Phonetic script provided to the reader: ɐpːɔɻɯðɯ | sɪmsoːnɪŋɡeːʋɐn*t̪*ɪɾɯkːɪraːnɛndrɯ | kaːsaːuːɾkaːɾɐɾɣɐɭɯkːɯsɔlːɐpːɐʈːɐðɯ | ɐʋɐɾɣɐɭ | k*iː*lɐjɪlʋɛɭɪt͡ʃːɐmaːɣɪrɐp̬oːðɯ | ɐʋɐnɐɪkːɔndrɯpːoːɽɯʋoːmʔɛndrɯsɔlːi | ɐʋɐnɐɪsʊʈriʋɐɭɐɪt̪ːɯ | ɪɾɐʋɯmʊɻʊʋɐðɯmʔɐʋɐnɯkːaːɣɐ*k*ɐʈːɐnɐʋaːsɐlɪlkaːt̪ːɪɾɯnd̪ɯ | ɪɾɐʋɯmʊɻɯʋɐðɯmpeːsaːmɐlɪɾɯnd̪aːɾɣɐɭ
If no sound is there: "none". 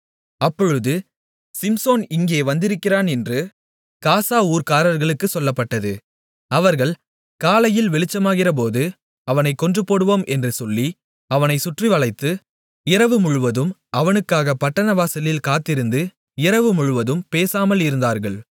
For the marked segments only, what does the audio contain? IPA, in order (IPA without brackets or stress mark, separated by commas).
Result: d̪, aː, p